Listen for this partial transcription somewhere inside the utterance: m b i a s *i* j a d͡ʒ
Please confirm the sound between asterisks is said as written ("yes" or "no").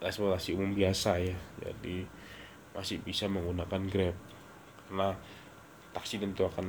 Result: no